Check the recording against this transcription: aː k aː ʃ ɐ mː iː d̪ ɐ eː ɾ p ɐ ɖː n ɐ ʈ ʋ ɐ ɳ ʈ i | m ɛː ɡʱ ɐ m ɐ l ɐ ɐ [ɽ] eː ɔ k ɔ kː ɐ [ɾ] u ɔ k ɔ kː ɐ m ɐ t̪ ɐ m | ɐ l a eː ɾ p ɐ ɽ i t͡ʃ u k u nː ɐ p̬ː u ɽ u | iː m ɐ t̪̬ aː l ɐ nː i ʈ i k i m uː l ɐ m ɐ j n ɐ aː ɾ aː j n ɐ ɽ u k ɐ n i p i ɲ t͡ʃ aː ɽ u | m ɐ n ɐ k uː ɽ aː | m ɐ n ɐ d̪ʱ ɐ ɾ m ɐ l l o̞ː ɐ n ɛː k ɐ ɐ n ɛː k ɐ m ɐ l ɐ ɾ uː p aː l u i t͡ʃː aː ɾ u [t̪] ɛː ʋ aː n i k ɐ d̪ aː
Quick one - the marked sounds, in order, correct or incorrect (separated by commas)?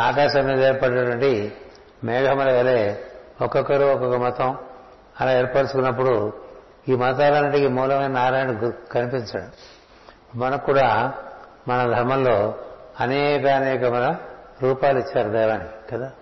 incorrect, correct, incorrect